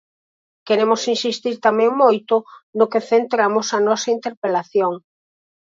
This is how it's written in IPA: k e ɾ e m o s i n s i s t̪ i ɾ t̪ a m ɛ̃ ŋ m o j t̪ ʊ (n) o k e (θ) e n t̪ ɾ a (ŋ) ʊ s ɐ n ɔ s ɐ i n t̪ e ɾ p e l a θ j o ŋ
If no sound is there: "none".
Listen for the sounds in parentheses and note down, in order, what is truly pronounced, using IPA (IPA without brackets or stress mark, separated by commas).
n, θ, m